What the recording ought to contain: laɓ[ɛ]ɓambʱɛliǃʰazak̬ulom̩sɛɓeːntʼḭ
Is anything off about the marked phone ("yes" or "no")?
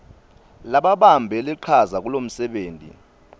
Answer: yes